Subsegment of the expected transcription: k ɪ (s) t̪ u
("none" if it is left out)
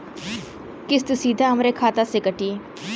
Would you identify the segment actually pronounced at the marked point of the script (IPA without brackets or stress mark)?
s